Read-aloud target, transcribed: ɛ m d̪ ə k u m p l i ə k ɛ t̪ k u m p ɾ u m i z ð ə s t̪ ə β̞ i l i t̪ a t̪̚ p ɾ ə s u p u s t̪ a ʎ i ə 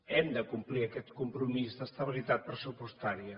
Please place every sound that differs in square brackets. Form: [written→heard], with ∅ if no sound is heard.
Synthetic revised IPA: ɛ m d̪ ə k u m p l i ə k ɛ t̪ k u m p ɾ u m i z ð ə s t̪ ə β̞ i l i t̪ a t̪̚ p ɾ ə s u p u s t̪ a [ʎ→ɾ] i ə